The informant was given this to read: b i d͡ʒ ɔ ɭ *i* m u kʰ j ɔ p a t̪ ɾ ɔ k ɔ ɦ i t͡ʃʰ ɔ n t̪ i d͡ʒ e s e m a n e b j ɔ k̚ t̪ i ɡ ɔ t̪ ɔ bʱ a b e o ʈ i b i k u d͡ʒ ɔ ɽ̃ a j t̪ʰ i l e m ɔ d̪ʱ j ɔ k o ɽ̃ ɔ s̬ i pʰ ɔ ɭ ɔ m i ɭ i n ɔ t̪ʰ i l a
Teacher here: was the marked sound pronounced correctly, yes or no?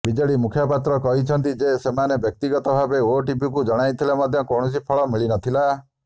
yes